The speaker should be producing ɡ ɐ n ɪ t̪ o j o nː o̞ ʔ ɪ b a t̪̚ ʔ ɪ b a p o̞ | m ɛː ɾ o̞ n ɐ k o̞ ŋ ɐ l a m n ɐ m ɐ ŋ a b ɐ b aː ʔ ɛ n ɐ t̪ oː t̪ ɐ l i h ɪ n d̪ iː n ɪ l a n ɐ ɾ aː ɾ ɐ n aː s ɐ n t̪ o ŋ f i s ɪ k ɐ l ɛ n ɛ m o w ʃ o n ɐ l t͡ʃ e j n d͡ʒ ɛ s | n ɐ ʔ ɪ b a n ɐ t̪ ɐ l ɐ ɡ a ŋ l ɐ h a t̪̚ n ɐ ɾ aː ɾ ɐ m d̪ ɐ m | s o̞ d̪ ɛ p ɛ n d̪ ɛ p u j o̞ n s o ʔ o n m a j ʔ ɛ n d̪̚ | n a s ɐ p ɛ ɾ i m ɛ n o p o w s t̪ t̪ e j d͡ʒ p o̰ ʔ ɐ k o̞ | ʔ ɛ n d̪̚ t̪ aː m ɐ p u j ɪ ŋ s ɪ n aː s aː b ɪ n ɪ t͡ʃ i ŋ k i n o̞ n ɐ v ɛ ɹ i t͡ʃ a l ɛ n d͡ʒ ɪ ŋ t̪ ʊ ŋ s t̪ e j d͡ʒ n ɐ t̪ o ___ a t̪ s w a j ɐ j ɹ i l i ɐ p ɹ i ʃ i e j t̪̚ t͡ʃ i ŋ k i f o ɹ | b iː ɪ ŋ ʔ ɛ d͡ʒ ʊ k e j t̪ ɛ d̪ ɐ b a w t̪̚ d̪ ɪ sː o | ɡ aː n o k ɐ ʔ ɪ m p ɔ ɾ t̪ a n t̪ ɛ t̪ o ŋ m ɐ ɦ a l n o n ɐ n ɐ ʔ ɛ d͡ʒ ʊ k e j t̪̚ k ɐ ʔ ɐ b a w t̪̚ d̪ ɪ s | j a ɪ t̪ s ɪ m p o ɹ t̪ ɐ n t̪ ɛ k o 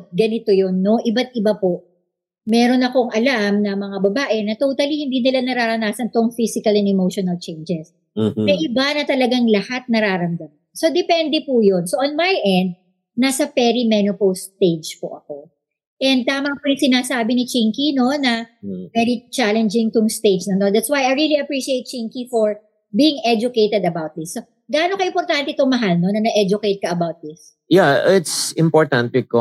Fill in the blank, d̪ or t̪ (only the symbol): d̪